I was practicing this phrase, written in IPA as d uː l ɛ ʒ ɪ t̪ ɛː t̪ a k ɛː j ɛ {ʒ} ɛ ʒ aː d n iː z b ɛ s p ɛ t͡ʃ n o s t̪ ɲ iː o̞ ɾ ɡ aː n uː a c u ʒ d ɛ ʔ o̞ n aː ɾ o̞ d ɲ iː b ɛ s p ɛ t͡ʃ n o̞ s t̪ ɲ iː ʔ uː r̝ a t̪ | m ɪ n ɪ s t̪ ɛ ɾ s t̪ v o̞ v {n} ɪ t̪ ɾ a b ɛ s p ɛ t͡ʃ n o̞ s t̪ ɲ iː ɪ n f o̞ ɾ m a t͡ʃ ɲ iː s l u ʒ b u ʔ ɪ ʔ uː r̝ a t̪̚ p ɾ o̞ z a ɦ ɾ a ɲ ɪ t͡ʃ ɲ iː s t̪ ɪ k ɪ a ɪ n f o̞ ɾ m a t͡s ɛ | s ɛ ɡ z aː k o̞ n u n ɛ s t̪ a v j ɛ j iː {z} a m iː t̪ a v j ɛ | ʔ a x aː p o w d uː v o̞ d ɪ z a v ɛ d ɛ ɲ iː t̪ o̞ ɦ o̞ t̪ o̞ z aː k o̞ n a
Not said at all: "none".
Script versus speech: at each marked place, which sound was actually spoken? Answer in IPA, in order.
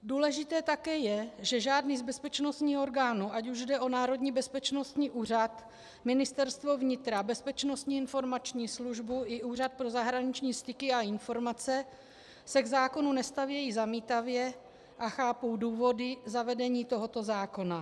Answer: ʒ, ɲ, z

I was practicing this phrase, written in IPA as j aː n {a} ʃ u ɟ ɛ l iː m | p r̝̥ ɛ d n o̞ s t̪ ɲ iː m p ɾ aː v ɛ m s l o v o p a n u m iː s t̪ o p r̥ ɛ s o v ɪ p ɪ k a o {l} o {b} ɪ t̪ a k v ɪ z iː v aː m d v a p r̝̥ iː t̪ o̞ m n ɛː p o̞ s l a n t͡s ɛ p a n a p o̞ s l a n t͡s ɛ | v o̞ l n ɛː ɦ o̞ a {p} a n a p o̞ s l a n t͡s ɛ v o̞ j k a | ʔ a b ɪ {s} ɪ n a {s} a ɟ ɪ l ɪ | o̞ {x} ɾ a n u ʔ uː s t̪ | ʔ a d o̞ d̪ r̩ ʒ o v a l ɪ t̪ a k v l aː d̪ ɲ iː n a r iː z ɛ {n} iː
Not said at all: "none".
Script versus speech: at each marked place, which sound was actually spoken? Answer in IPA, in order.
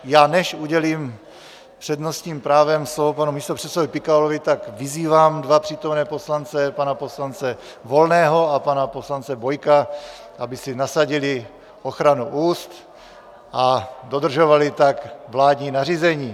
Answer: ɛ, l, v, p, s, s, x, ɲ

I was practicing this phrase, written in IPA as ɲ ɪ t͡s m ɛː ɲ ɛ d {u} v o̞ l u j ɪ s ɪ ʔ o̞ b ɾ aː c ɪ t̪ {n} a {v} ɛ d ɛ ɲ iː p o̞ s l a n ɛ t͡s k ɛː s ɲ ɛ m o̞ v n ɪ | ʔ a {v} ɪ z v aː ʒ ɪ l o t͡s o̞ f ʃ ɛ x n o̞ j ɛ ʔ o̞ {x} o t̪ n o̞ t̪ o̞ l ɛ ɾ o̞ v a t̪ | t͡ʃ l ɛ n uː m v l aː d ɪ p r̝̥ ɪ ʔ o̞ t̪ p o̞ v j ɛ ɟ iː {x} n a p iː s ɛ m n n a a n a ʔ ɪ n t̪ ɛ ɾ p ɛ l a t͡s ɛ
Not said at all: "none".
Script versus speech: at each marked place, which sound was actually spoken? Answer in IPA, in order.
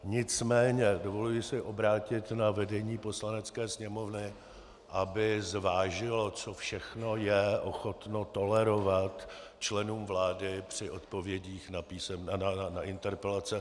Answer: o, n, v, b, x, x

